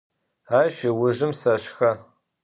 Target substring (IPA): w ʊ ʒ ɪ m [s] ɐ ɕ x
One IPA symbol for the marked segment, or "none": s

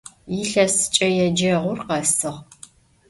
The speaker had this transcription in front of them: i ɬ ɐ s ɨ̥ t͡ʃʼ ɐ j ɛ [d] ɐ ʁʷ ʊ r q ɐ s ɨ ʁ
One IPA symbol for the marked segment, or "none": d͡ʒ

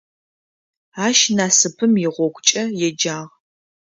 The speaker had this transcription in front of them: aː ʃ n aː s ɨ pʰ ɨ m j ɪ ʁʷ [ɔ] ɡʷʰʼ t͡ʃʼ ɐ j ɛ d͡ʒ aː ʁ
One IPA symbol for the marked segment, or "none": ɔ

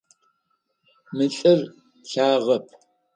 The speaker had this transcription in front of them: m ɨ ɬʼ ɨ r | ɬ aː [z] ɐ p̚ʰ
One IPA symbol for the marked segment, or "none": ʁ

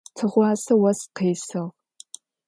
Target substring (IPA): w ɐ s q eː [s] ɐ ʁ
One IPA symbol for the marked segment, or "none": s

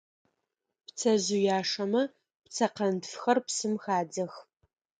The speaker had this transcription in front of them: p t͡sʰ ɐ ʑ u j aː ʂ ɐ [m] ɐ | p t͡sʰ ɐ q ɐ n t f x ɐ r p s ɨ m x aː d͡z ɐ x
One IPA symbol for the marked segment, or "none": m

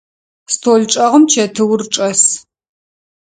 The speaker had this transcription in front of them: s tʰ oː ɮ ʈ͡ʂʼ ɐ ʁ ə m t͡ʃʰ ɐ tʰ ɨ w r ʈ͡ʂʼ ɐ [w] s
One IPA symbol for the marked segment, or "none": none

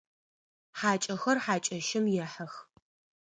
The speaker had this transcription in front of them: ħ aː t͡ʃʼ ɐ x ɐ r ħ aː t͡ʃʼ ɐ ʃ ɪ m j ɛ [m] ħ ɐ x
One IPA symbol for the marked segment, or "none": none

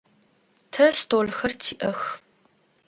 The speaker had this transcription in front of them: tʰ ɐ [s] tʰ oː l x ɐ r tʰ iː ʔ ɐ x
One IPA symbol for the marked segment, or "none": s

